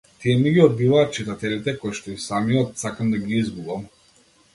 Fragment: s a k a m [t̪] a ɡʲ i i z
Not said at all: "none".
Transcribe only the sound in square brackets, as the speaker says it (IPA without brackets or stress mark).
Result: d̪